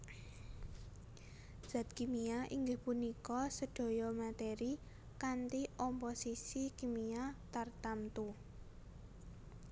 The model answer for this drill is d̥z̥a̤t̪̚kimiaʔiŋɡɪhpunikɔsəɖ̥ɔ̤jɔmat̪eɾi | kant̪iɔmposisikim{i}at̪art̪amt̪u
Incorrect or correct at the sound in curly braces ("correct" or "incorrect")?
correct